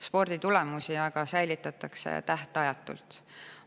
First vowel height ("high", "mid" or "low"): mid